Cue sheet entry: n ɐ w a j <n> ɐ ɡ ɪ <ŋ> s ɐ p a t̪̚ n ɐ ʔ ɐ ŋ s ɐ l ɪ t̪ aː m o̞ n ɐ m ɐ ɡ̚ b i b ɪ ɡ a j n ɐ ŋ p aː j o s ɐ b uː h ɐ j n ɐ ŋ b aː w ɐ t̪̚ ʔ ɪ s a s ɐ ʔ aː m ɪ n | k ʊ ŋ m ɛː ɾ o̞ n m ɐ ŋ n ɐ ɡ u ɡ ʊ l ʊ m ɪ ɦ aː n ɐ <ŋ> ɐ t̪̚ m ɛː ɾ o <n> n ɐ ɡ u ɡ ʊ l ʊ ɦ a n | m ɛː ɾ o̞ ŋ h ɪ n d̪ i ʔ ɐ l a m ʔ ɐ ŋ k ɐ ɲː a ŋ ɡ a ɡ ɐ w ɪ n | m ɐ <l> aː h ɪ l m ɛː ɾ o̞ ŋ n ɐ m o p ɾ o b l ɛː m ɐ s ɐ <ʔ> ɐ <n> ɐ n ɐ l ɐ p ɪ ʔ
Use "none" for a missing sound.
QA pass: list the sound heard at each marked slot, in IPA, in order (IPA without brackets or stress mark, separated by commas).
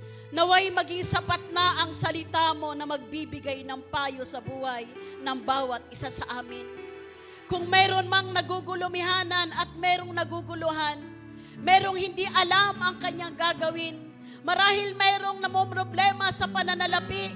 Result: m, ŋ, n, ŋ, ɾ, p, n